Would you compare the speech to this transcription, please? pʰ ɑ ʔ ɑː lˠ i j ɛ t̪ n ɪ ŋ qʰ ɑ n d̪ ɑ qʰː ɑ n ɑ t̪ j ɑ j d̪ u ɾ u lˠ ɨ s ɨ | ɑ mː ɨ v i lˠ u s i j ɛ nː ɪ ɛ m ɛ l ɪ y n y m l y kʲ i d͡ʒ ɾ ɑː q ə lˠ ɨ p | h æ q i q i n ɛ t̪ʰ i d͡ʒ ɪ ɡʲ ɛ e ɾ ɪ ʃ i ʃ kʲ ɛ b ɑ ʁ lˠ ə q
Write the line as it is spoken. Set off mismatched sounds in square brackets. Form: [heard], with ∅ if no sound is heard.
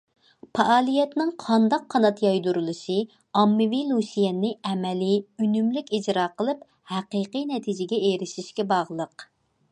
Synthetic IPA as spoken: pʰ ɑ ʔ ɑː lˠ i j ɛ t̪ n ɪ ŋ qʰ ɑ n d̪ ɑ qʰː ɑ n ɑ t̪ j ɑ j d̪ u ɾ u lˠ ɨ [ʃ] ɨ | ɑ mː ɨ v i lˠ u s i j ɛ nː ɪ ɛ m ɛ l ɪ y n y m l y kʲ i d͡ʒ ɾ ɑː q ə lˠ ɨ p | h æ q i q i n ɛ t̪ʰ i d͡ʒ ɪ ɡʲ ɛ e ɾ ɪ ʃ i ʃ kʲ ɛ b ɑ ʁ lˠ ə q